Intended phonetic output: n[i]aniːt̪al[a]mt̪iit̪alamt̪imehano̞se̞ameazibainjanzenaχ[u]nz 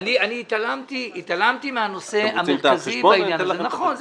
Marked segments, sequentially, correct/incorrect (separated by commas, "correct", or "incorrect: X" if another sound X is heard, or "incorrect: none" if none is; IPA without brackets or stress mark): correct, correct, incorrect: o